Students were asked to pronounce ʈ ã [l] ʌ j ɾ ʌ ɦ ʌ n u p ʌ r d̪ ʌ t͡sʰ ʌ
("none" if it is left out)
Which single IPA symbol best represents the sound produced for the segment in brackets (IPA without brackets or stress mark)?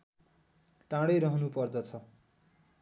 ɽ